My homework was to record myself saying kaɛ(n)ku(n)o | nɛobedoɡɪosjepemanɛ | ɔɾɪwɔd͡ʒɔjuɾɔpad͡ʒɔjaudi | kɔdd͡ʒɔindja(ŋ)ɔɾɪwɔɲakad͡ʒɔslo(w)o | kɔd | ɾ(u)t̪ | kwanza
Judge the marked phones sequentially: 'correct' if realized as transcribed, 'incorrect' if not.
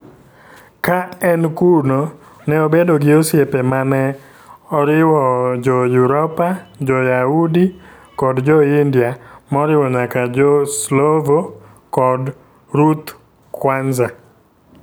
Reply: correct, correct, incorrect, incorrect, correct

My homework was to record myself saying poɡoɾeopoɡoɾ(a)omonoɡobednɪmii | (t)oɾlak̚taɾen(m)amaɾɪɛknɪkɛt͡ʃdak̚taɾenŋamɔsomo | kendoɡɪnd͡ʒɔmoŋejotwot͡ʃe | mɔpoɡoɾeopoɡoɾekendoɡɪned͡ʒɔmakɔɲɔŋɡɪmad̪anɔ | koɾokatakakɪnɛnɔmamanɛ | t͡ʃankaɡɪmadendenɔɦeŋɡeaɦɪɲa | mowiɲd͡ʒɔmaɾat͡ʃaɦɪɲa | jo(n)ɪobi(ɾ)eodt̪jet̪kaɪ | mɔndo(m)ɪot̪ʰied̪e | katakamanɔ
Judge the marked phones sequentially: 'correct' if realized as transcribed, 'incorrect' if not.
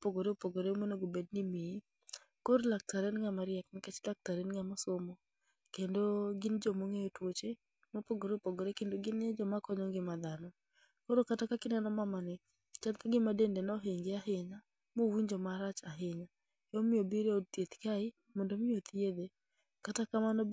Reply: incorrect, incorrect, incorrect, incorrect, correct, correct

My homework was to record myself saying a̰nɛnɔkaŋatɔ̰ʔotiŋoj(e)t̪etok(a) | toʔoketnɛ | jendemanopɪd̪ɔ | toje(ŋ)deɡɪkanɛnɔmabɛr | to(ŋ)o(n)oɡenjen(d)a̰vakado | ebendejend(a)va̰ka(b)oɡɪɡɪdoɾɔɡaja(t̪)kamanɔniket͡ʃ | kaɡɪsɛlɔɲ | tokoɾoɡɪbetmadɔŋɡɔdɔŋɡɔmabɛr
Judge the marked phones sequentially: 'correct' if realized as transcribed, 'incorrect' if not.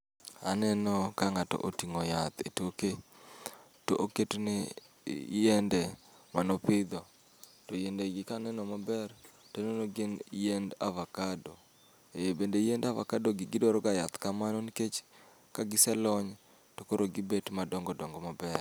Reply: incorrect, incorrect, incorrect, incorrect, correct, correct, correct, incorrect, correct

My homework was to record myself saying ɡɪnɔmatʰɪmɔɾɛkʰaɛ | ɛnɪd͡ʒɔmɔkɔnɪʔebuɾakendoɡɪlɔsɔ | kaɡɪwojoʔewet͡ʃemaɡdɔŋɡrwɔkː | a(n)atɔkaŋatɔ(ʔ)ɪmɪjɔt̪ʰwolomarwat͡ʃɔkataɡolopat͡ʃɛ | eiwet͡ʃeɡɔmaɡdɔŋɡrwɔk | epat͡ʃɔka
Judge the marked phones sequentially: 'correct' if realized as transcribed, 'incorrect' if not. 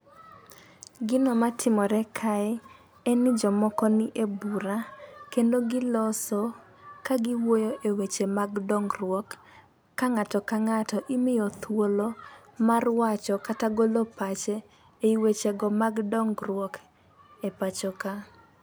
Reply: incorrect, correct

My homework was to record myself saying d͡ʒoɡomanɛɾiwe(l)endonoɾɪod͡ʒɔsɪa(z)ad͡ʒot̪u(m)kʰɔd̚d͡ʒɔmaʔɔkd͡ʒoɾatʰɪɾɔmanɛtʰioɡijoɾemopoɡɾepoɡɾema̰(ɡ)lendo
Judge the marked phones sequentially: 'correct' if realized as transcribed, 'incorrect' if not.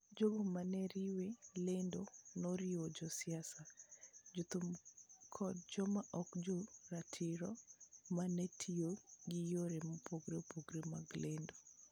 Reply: correct, incorrect, correct, correct

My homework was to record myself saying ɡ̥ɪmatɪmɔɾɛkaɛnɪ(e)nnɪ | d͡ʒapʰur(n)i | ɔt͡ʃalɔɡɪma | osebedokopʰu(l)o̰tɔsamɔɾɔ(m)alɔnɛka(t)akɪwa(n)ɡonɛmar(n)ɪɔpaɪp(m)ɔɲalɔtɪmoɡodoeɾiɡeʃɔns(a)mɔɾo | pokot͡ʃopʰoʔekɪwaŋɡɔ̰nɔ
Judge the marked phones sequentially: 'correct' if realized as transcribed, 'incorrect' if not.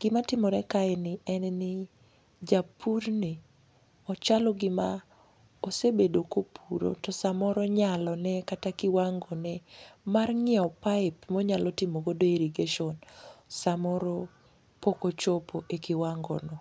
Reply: incorrect, correct, incorrect, incorrect, correct, incorrect, incorrect, correct, correct

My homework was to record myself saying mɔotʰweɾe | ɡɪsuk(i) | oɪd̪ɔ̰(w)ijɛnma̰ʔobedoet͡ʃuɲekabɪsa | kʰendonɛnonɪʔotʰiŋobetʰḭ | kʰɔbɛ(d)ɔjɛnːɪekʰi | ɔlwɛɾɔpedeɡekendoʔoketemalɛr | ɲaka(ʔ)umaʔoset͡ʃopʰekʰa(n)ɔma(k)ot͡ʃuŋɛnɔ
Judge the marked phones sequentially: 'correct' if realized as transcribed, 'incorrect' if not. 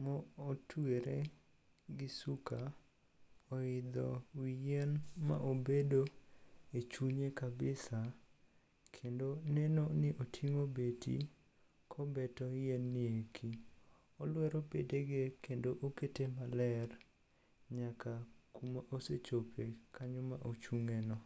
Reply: incorrect, correct, incorrect, incorrect, incorrect, incorrect

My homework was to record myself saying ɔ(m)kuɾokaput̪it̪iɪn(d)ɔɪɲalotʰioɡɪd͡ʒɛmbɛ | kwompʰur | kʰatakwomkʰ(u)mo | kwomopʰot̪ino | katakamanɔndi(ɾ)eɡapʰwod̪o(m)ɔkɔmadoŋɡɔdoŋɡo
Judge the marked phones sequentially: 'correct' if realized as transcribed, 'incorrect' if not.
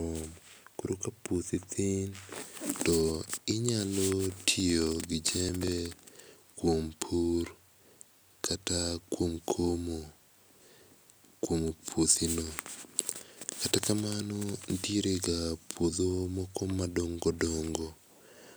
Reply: correct, incorrect, incorrect, correct, correct

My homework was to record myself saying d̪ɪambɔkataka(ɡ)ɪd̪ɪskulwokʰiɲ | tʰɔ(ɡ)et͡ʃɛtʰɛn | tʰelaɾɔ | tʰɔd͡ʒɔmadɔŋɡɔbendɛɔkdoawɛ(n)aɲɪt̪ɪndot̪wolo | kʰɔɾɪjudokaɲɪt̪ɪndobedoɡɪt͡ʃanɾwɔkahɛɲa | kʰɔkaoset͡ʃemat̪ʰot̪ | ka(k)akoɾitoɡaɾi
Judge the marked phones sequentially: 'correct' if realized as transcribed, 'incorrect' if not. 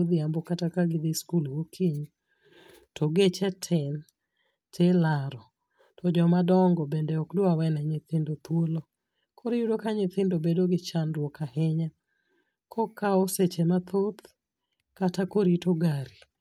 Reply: correct, correct, correct, incorrect

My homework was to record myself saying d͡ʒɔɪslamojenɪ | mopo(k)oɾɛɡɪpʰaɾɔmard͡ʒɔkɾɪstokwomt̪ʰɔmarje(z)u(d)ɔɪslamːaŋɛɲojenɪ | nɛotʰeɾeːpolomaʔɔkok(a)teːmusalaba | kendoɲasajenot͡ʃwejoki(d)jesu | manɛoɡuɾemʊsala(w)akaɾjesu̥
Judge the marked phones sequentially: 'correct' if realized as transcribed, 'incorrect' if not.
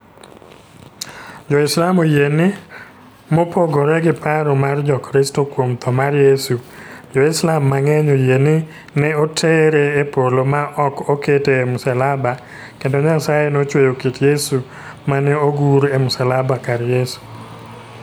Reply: incorrect, incorrect, incorrect, incorrect, incorrect, incorrect

